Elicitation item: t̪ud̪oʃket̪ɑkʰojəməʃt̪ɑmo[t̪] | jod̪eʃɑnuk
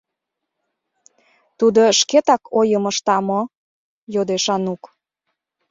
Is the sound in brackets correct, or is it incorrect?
incorrect